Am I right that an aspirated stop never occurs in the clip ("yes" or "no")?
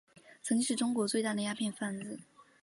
no